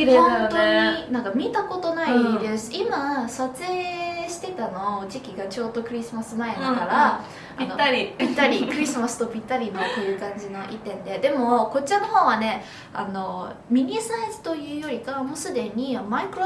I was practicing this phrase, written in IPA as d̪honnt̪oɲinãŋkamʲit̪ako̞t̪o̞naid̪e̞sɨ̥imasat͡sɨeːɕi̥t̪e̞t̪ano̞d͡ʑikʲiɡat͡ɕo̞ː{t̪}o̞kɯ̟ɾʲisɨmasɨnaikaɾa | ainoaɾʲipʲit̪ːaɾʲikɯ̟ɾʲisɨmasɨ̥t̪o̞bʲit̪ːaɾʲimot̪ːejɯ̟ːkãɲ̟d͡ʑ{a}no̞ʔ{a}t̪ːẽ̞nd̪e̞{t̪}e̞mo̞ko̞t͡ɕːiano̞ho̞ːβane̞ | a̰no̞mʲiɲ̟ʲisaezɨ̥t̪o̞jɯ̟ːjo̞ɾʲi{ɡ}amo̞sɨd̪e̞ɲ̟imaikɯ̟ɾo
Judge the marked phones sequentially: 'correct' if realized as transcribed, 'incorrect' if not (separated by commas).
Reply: incorrect, incorrect, incorrect, incorrect, incorrect